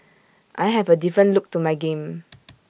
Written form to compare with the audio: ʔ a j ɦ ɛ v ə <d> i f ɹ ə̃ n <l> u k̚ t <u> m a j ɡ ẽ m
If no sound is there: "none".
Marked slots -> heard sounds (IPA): d, l, u

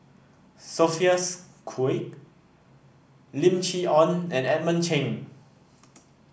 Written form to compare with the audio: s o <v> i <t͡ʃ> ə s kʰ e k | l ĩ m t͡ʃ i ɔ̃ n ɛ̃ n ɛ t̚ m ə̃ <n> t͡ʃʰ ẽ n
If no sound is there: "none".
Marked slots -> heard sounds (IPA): f, none, n

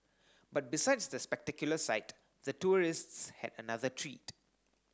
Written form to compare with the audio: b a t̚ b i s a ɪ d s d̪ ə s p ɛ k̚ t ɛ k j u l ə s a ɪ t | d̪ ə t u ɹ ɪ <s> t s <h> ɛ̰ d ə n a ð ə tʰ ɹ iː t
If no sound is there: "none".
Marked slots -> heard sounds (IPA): s, h

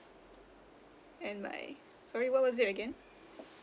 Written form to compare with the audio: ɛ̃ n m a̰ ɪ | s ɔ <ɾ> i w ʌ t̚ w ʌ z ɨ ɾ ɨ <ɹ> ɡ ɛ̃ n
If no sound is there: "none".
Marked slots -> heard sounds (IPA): ɹ, none

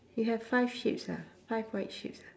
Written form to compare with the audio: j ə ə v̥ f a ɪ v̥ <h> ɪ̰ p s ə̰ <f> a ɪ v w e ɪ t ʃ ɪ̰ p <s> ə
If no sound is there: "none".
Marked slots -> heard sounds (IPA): ʃ, f, s

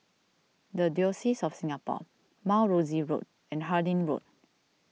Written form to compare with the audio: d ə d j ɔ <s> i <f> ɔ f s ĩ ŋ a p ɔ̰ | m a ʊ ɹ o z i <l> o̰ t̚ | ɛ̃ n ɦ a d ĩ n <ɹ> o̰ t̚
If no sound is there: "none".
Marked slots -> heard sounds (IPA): s, s, ɹ, ɹ

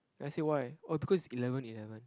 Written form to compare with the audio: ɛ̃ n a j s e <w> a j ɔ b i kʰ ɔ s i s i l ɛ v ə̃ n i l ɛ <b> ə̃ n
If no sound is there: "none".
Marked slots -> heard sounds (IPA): w, v

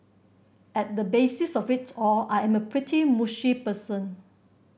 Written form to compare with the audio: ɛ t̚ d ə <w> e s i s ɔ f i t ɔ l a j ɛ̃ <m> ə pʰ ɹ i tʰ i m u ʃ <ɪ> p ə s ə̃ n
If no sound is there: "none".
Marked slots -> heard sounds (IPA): b, m, i

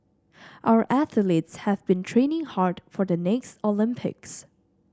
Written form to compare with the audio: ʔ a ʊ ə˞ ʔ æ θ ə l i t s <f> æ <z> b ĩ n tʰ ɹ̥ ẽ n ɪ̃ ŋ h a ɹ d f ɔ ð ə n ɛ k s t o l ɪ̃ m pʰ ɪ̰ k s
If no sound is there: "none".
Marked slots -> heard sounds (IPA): h, v

